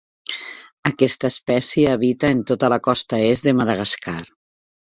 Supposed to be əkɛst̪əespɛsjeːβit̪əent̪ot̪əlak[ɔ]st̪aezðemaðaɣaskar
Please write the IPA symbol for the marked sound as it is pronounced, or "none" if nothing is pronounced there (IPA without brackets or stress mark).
ɔ